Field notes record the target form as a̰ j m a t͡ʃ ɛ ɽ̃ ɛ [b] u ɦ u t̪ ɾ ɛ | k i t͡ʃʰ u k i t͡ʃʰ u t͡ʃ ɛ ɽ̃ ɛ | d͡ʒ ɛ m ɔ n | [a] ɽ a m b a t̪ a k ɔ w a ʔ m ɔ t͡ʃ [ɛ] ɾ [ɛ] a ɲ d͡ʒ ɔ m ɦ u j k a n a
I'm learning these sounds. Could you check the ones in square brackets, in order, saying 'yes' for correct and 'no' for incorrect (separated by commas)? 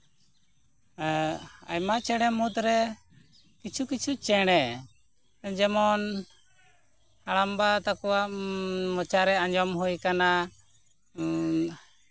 no, yes, no, yes